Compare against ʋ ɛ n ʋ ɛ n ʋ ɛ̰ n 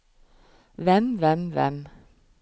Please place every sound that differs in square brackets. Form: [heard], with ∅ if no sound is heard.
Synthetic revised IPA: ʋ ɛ n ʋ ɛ n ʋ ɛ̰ n

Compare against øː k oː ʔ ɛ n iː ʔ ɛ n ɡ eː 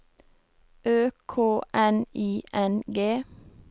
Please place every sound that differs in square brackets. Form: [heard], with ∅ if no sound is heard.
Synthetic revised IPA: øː [kʰ] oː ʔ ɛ n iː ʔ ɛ n ɡ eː

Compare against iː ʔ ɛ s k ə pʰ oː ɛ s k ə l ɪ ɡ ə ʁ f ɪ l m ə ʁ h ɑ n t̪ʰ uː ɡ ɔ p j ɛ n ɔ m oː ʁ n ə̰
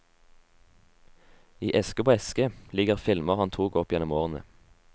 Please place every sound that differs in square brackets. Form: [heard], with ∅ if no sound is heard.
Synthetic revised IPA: iː ʔ ɛ s k ə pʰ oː ɛ s k ə l ɪ ɡ ə ʁ f ɪ l m ə ʁ h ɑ n t̪ʰ uː ɡ ɔ p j ɛ n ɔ m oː ʁ n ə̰

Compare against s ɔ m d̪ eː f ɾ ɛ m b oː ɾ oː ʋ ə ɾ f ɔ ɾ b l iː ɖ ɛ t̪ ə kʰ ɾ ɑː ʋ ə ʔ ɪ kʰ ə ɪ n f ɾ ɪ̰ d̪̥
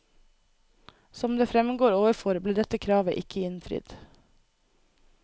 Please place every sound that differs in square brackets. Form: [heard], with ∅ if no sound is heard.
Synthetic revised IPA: s ɔ m d̪ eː f ɾ ɛ m [ɡ] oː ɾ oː ʋ ə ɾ f ɔ ɾ b l iː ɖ ɛ t̪ ə kʰ ɾ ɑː ʋ ə ʔ ɪ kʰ ə ɪ n f ɾ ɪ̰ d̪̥

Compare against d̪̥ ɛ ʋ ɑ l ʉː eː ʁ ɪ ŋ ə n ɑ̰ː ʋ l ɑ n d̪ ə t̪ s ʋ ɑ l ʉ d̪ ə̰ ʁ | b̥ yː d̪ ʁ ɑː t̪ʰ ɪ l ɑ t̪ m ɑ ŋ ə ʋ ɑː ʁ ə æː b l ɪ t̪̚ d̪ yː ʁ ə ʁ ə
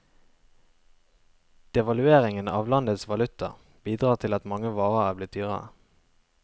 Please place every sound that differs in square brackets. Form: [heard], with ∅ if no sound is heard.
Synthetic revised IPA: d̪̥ ɛ ʋ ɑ l [ʉ] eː ʁ ɪ ŋ ə n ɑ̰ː ʋ l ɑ n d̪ ə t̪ s ʋ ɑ l ʉ [t̪] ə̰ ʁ | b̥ [iː] d̪ ʁ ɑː t̪ʰ ɪ l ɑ t̪ m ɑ ŋ ə ʋ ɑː ʁ ə æː b l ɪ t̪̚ d̪ yː ʁ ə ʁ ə

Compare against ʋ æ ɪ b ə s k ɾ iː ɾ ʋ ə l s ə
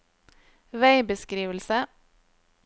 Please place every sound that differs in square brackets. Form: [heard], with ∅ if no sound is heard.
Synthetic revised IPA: ʋ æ ɪ b ə s k ɾ iː [∅] ʋ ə l s ə

